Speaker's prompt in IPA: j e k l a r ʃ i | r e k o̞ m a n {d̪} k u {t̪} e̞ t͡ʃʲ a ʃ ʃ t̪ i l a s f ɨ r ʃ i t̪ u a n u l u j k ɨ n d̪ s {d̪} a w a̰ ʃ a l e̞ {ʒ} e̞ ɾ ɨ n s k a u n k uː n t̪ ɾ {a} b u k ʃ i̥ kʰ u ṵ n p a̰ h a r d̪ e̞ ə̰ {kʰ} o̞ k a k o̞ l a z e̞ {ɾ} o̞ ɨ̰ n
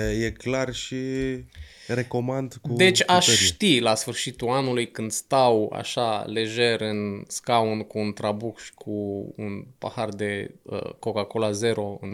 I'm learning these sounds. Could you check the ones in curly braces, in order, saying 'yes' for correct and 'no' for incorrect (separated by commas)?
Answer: yes, no, no, yes, yes, no, yes